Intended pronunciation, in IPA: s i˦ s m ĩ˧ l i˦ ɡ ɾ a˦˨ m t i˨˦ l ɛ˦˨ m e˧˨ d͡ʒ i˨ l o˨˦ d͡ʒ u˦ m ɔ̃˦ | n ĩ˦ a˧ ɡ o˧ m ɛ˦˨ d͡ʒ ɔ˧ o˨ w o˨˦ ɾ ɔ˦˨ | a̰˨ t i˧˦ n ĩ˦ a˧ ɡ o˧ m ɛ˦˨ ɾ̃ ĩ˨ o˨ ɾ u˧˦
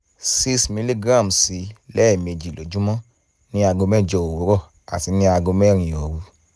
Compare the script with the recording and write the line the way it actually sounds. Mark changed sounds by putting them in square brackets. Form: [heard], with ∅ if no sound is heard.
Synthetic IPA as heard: s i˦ s m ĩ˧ l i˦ ɡ ɾ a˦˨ m [s] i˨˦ l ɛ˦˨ m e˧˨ d͡ʒ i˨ l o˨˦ d͡ʒ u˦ m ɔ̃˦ | n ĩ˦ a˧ ɡ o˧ m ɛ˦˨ d͡ʒ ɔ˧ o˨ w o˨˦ ɾ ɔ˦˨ | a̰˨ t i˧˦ n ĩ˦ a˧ ɡ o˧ m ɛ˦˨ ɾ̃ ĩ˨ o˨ ɾ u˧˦